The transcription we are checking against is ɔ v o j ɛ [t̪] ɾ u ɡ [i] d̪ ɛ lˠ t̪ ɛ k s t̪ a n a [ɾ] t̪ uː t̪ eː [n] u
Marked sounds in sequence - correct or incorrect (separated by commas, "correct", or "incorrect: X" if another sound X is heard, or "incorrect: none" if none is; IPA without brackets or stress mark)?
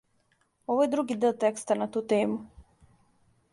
incorrect: d̪, correct, incorrect: none, incorrect: m